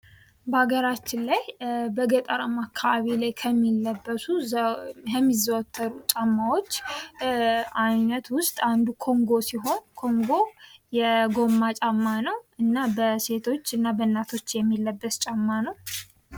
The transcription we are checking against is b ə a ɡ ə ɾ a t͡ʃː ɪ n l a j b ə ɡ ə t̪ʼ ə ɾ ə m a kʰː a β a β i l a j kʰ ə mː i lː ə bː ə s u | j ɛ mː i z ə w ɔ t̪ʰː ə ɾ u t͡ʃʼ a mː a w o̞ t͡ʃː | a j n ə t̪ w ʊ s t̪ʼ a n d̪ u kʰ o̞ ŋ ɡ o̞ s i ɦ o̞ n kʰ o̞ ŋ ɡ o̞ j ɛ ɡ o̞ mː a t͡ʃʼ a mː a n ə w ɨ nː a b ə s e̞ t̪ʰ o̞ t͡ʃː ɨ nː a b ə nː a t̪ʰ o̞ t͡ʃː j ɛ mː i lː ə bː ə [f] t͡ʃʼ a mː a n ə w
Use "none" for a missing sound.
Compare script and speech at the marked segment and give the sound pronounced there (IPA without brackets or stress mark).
s